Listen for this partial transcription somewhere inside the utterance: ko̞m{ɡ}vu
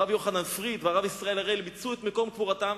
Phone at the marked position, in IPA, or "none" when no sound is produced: k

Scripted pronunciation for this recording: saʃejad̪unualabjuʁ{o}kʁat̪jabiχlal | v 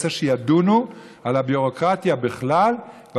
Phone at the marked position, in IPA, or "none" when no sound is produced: o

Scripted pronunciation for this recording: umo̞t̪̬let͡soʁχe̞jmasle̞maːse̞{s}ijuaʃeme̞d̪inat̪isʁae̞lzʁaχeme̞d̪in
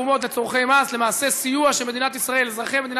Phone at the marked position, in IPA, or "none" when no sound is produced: s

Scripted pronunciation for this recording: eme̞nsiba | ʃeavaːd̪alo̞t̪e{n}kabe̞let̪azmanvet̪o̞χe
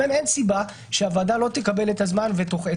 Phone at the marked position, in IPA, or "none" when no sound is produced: none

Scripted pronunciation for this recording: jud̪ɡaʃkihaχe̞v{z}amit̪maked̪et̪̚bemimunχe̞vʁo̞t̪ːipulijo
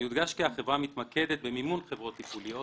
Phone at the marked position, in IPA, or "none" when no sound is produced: ʁ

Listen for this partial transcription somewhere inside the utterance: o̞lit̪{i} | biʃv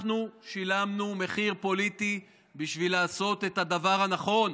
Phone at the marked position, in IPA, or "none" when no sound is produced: i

